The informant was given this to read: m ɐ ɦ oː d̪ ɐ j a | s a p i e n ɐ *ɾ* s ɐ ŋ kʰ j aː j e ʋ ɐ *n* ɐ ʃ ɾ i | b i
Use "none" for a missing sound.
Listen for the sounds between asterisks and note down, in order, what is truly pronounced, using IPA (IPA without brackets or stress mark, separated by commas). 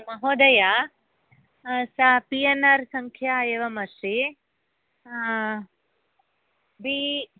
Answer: ɾ, m